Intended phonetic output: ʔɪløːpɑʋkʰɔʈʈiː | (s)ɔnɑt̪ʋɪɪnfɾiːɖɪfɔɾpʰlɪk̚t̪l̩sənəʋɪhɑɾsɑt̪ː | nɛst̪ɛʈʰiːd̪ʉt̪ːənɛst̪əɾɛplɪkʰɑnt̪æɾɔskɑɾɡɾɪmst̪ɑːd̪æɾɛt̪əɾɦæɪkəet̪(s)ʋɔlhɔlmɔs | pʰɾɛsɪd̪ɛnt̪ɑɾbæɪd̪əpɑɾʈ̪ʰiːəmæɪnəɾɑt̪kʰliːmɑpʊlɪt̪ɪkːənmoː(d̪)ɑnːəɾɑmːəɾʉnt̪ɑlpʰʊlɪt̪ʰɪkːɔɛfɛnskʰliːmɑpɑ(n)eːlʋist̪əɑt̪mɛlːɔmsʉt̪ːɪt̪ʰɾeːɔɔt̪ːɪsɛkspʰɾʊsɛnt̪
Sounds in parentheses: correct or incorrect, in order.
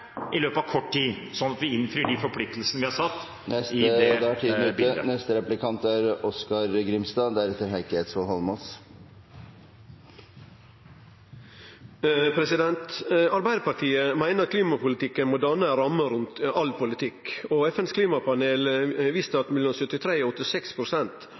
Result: correct, correct, correct, correct

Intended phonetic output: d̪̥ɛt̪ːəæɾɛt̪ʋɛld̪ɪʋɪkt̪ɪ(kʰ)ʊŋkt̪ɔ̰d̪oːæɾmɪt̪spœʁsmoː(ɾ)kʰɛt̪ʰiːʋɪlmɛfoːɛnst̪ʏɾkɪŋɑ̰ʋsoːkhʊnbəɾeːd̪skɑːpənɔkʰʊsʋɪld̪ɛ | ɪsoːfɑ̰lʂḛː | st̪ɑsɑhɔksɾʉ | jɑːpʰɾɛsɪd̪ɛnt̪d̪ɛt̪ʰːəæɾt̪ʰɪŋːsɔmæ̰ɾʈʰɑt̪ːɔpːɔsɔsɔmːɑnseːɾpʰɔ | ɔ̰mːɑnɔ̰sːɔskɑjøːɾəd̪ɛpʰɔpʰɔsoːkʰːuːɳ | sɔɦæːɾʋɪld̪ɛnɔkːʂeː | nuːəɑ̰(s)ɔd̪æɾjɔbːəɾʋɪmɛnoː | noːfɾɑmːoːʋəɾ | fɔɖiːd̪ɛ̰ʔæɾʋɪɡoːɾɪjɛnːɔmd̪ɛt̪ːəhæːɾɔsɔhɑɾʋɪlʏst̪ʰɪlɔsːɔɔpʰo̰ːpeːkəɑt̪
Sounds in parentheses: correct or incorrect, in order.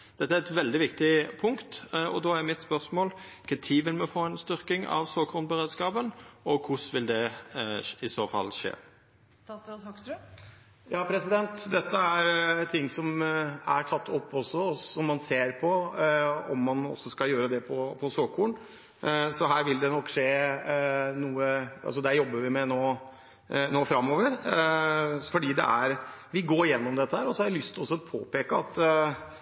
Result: incorrect, incorrect, correct

